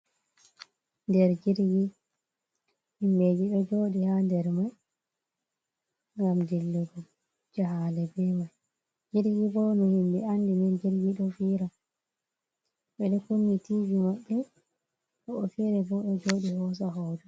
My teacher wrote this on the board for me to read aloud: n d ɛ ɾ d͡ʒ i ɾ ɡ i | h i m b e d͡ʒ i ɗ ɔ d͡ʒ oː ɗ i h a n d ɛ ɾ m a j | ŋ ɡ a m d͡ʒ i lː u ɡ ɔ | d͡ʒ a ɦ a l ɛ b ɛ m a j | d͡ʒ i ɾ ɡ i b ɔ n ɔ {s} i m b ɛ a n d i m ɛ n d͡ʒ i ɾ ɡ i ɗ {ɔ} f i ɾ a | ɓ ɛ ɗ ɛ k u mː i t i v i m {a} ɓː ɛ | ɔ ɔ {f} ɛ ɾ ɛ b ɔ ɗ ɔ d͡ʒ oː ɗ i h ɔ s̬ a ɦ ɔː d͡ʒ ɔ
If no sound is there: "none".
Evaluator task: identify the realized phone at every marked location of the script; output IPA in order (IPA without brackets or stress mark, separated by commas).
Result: h, ɔ, a, f